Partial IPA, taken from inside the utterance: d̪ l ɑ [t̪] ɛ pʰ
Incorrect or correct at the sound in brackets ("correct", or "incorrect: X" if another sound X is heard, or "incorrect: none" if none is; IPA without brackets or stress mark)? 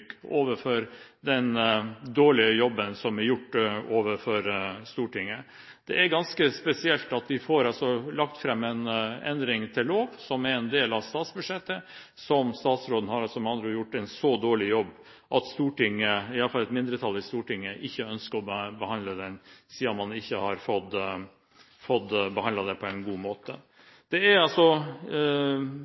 incorrect: d̪